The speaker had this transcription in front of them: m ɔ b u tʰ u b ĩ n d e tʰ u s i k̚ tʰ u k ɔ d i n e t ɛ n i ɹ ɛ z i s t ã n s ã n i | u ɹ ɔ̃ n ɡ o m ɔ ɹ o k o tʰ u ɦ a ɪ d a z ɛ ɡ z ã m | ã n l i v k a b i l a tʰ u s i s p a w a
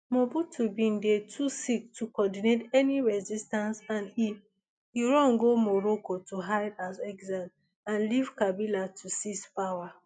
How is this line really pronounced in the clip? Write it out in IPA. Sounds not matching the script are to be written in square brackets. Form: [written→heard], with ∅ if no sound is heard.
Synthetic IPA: m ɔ b u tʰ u b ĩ n d e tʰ u s i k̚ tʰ u k ɔ d i n e t ɛ n i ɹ ɛ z i s t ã n s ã n i | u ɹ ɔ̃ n ɡ o m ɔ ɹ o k o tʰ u ɦ a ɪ d a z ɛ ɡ z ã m | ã n l i v k a b i l a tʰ u s i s p a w a